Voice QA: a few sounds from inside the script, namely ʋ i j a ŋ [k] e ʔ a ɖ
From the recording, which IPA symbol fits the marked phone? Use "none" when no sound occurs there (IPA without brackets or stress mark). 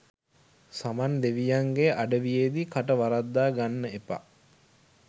ɡ